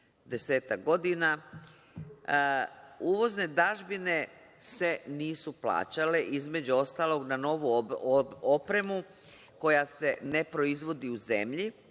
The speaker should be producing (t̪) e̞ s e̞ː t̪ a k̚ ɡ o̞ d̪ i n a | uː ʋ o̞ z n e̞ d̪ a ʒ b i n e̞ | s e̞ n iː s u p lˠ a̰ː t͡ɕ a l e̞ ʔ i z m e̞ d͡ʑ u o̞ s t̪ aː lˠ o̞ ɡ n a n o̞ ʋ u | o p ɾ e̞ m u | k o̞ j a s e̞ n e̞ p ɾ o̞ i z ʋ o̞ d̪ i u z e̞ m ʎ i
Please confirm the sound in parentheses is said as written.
no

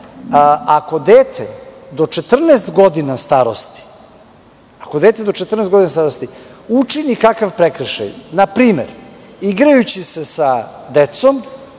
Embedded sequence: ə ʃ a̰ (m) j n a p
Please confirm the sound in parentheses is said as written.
no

